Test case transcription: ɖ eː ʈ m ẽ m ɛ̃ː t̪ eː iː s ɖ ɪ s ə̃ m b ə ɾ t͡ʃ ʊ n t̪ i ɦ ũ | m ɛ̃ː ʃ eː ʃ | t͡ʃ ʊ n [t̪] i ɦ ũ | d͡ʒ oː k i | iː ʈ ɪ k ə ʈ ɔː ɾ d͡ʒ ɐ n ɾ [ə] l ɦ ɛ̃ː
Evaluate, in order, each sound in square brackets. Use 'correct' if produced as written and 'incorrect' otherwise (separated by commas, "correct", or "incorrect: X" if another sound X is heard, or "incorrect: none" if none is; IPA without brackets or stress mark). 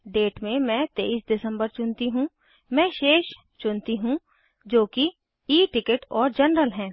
correct, correct